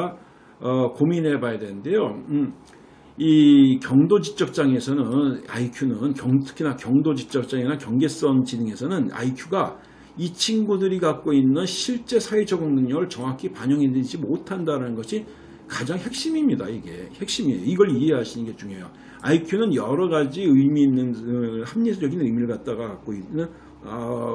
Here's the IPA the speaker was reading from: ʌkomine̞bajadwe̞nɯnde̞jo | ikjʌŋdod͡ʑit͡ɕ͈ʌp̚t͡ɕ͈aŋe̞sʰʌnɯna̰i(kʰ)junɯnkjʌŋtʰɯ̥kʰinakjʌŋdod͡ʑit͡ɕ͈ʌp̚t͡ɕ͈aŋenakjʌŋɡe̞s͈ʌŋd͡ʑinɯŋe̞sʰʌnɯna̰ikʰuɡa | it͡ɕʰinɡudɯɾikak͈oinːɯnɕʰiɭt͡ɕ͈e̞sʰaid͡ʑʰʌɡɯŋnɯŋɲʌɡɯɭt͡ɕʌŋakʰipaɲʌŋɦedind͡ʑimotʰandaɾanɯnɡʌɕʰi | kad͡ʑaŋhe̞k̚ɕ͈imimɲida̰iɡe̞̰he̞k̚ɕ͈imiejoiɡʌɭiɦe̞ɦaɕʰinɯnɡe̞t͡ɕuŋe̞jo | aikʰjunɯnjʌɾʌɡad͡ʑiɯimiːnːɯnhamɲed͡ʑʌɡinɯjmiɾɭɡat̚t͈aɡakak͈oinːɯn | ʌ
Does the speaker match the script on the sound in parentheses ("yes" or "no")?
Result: yes